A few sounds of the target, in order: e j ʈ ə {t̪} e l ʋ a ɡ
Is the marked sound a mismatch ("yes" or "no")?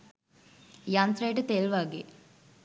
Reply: no